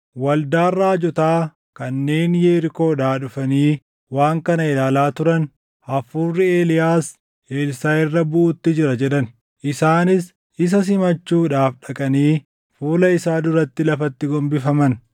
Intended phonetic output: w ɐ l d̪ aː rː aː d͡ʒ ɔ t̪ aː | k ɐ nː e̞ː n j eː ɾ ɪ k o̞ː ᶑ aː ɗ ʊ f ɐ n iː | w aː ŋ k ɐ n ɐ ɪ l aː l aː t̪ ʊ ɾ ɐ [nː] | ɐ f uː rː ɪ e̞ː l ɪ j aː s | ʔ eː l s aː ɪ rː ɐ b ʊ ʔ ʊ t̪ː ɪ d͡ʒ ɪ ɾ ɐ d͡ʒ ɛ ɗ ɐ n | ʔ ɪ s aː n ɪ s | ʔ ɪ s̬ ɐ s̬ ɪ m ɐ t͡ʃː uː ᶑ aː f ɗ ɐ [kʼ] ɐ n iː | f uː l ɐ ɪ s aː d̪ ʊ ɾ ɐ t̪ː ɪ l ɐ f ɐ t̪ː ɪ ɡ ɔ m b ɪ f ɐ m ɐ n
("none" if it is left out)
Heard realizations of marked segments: n, kʼ

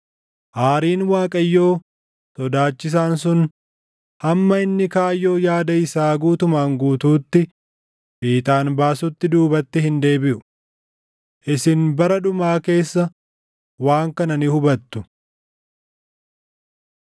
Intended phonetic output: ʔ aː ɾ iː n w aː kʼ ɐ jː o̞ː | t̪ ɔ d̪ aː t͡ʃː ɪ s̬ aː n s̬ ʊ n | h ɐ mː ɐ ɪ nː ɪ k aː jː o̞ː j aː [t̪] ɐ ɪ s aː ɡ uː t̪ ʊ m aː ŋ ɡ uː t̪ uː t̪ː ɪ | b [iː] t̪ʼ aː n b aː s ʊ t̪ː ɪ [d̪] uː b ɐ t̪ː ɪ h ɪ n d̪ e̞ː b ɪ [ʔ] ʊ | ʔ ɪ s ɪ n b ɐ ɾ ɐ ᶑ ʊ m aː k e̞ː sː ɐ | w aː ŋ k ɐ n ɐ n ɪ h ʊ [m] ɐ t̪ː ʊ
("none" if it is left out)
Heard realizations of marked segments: d̪, iː, d̪, ʔ, b

